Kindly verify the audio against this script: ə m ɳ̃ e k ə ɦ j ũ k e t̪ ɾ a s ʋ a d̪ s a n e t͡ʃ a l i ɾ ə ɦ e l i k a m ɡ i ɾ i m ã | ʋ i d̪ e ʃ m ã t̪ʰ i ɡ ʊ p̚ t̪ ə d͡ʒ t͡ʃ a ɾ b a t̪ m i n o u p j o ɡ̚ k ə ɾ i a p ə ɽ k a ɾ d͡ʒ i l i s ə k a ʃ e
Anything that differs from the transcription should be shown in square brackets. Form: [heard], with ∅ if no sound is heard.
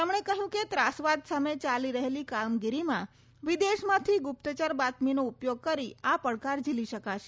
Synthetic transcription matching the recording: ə m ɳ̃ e k ə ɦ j ũ k e t̪ ɾ a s ʋ a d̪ s a [m] e t͡ʃ a l i ɾ ə ɦ e l i k a m ɡ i ɾ i m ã | ʋ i d̪ e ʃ m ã t̪ʰ i ɡ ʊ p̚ t̪ ə [∅] t͡ʃ a ɾ b a t̪ m i n o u p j o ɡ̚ k ə ɾ i a p ə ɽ k a ɾ d͡ʒ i l i [ʃ] ə k a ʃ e